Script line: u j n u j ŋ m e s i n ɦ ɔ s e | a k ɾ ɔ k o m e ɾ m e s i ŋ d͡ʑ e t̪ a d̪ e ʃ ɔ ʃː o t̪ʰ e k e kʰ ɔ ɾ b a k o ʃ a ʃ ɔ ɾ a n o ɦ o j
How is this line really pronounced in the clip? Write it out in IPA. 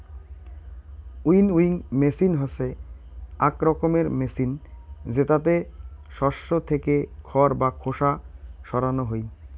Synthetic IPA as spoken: u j n u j ŋ m e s i n ɦ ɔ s e | a k ɾ ɔ k o m e ɾ m e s i n d͡ʑ e t̪ a t̪ e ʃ ɔ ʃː o t̪ʰ e k e kʰ ɔ ɾ b a kʰ o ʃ a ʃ ɔ ɾ a n o ɦ o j